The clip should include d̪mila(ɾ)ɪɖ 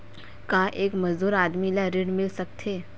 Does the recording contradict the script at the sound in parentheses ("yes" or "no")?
no